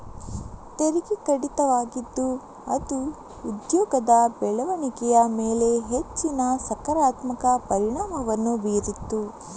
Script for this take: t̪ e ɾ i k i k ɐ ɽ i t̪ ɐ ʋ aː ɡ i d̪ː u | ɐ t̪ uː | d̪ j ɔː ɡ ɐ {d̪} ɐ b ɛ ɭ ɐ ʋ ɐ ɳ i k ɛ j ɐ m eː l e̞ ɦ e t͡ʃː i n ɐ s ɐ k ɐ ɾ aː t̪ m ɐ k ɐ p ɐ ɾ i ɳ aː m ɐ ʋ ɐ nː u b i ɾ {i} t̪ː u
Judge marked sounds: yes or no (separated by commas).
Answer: yes, yes